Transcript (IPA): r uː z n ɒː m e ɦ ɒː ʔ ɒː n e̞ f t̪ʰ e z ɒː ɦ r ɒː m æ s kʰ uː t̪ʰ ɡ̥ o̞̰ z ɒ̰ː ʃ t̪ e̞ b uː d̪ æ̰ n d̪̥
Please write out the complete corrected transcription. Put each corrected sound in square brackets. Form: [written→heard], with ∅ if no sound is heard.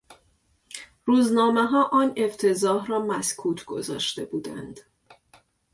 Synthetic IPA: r uː z n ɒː m e ɦ ɒː ʔ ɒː n e̞ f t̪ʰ e z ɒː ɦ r ɒː m æ s kʰ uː t̪ʰ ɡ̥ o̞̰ z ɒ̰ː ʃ t̪ e̞ b uː d̪ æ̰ n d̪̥